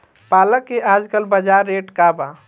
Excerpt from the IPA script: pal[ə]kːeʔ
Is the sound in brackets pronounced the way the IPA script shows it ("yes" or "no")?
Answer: yes